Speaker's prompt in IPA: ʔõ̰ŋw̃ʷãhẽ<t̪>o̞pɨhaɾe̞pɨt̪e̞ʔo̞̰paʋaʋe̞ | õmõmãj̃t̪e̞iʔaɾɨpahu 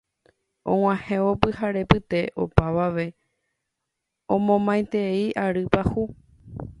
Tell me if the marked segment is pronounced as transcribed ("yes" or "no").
no